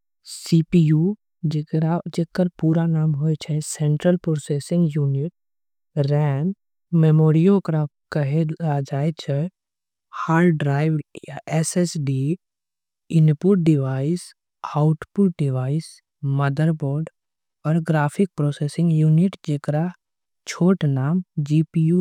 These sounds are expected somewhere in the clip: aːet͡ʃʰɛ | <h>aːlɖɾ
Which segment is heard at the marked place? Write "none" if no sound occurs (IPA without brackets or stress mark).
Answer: h